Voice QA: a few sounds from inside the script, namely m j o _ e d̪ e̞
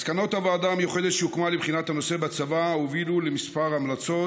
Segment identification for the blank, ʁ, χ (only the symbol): χ